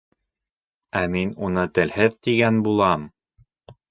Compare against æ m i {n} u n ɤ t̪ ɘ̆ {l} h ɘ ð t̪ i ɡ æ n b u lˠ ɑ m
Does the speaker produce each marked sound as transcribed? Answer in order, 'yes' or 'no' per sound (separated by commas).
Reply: yes, yes